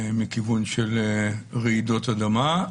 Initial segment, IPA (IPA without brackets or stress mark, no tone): m